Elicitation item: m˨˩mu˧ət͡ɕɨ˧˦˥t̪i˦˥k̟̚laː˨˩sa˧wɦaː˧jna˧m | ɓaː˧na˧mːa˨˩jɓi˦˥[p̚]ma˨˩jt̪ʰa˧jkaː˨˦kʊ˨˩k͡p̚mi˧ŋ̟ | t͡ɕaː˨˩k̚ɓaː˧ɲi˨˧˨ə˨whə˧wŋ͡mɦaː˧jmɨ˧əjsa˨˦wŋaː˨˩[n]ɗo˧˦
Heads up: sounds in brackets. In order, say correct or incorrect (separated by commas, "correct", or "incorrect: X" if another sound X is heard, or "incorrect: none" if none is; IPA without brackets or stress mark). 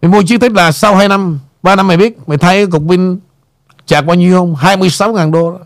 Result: incorrect: t̚, correct